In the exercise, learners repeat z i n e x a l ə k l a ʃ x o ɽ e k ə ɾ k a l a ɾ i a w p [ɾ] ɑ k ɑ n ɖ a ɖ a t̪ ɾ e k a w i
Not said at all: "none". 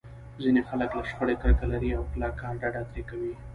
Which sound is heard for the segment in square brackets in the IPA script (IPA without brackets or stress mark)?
l